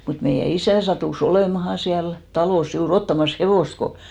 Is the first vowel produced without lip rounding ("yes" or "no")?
no